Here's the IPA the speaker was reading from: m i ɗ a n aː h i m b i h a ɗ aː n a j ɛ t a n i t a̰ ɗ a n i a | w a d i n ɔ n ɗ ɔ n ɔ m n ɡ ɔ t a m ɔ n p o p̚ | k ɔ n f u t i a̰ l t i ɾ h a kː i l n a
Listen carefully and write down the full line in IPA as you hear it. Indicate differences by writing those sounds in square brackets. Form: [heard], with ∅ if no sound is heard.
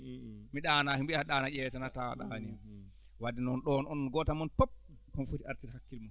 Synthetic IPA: m i ɗ a n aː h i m b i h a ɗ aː n a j ɛ t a n [a] t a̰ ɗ a n i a | w a d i n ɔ n ɗ ɔ n ɔ [n] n ɡ ɔ t a m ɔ n p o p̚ | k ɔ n f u t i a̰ [ɾ] t i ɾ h a kː i l [m] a

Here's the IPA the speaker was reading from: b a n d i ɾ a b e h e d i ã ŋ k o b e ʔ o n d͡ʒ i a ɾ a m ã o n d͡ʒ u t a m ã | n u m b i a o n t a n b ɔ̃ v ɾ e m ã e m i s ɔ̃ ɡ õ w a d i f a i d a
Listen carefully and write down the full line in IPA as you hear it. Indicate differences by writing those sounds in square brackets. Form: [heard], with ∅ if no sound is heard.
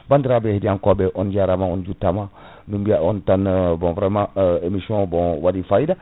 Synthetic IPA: b a n d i ɾ a b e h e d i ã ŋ k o b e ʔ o n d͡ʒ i a ɾ a m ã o n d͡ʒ u t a m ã | n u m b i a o n t a n b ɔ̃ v ɾ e m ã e m i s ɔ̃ [b] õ w a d i f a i d a

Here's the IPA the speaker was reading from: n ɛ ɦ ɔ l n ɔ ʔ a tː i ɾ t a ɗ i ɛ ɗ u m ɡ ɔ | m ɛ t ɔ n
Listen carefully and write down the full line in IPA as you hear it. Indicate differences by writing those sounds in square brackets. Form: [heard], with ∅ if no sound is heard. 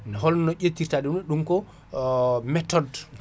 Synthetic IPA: n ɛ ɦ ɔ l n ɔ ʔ [e] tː i ɾ t a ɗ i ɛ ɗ u m [k] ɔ | m ɛ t ɔ [d]

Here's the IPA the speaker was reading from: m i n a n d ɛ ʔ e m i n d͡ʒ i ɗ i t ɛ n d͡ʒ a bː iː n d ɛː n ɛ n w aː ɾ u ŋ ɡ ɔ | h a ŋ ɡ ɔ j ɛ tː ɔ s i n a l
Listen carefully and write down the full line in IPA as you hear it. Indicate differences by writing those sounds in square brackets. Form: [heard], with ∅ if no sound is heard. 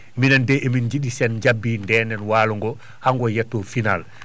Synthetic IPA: m i n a n d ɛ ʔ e m i n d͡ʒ i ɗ i [s] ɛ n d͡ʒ a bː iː n d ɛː n ɛ n w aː [l] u ŋ ɡ ɔ | h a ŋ ɡ ɔ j ɛ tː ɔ [f] i n a l

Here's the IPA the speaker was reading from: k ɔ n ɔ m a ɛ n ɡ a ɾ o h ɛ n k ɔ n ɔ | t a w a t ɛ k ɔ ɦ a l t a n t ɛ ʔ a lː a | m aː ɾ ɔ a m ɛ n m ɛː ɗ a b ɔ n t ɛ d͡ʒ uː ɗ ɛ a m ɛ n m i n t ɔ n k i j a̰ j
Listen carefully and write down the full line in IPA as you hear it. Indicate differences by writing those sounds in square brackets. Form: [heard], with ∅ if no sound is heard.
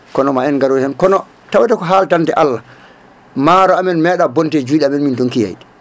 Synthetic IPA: k ɔ n ɔ m a ɛ n ɡ a ɾ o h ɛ n k ɔ n ɔ | t a w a t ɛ k ɔ ɦ a l t a n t ɛ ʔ a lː a | m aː ɾ ɔ a m ɛ n m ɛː ɗ a b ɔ n t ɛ d͡ʒ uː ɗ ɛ a m ɛ n m i n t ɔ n k i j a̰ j

